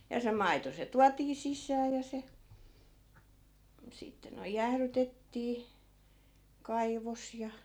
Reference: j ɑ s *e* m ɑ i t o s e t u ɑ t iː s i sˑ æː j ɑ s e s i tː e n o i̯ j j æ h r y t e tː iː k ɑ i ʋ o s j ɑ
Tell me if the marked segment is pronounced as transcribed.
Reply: yes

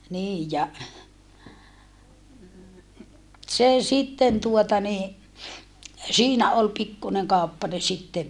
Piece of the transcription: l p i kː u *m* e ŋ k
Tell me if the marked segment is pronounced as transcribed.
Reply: no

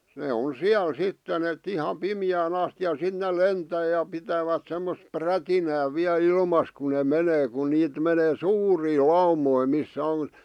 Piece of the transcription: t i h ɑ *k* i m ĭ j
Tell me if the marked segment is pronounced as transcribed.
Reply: no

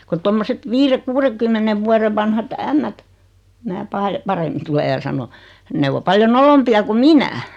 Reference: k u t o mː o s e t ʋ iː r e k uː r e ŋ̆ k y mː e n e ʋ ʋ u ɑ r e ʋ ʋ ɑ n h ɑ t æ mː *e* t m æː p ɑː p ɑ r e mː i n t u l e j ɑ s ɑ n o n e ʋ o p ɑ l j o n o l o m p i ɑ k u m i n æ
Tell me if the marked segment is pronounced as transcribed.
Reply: no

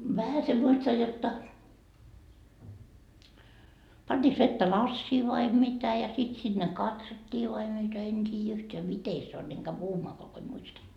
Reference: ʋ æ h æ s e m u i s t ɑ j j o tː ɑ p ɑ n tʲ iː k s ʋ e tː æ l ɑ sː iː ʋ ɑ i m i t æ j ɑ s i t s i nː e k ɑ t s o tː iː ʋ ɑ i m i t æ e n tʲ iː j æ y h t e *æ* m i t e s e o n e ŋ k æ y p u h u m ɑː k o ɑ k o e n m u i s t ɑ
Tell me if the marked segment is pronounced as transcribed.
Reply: yes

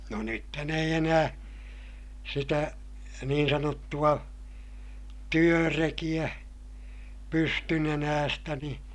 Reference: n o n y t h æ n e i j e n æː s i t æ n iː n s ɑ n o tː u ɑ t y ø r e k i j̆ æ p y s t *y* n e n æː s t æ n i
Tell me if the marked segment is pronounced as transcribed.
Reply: yes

